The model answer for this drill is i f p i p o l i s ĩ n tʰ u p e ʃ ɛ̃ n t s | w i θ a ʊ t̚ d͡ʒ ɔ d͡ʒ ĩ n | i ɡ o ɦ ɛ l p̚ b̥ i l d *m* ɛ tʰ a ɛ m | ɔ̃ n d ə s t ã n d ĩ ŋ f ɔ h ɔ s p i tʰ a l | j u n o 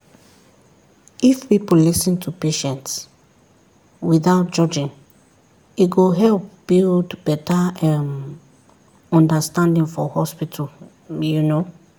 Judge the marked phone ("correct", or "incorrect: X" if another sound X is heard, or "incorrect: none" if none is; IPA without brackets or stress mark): incorrect: b